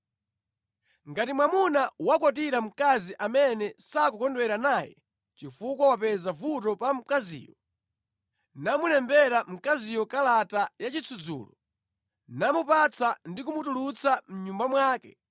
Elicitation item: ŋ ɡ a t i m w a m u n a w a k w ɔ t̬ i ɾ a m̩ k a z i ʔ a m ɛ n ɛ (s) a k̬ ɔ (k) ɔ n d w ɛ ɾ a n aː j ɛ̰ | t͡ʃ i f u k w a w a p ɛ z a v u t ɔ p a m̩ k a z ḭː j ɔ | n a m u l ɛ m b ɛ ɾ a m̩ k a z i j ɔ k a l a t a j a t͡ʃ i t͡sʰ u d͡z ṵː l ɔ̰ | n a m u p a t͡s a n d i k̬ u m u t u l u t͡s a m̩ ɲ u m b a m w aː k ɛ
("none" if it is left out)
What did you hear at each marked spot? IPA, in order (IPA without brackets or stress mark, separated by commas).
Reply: s, k